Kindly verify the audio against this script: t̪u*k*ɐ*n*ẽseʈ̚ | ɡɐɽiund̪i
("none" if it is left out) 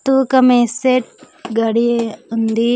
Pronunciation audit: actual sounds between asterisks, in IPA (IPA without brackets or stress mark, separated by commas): k, m